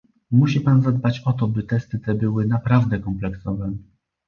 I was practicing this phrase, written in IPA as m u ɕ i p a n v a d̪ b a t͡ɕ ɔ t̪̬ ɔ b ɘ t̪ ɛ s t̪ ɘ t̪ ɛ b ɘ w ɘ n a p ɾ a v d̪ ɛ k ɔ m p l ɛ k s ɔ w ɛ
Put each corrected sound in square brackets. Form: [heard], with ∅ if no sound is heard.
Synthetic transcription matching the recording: m u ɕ i p a n [z] a d̪ b a t͡ɕ ɔ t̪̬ ɔ b ɘ t̪ ɛ s t̪ ɘ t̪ ɛ b ɘ w ɘ n a p ɾ a v d̪ ɛ k ɔ m p l ɛ k s ɔ [v] ɛ